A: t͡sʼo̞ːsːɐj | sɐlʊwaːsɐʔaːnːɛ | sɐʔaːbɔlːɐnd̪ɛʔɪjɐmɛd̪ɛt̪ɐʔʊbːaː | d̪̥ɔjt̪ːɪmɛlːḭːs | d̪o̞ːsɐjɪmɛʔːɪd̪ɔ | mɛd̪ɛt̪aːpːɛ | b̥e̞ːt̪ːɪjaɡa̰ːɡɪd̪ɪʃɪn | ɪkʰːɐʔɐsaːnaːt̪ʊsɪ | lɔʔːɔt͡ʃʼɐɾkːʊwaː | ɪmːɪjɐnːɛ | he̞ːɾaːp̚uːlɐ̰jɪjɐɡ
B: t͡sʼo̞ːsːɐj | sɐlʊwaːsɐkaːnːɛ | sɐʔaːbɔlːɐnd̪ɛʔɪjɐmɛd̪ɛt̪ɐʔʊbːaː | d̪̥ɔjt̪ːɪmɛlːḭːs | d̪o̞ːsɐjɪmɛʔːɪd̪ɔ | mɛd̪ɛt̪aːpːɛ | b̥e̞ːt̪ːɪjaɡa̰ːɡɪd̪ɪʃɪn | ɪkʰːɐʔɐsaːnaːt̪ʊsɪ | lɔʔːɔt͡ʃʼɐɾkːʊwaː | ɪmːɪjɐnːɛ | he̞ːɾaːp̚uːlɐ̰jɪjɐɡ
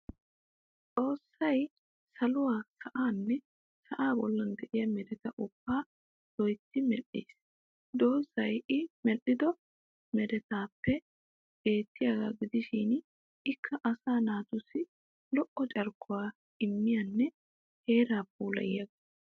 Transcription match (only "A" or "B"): A